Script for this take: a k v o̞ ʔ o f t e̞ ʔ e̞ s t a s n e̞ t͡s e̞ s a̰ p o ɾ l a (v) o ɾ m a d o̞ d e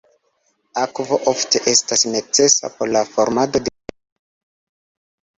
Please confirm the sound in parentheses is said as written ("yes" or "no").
no